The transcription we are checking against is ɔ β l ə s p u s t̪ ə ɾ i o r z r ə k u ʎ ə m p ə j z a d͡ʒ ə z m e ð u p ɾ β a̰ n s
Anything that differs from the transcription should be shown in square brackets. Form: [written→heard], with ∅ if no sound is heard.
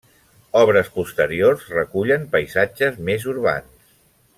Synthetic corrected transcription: ɔ β [l→ɾ] ə s p u s t̪ ə ɾ i o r z r ə k u ʎ ə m p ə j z a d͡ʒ ə z m e [ð→z] u [p→∅] ɾ β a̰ n s